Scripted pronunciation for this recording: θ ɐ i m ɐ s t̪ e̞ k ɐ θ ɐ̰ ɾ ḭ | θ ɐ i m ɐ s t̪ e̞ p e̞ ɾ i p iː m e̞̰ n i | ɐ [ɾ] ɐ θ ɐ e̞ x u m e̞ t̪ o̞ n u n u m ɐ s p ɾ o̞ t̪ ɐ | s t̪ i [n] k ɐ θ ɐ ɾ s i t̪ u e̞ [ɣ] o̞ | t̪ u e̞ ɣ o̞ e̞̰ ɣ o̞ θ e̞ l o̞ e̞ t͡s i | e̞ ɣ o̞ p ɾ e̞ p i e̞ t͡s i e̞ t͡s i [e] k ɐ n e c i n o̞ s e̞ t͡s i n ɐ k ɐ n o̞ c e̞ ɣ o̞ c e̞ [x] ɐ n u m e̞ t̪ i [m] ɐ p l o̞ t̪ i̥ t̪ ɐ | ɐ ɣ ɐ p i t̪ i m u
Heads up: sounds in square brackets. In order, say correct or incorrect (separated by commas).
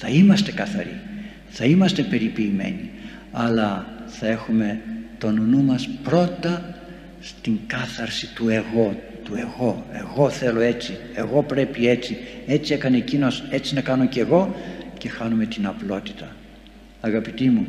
incorrect, incorrect, correct, correct, correct, incorrect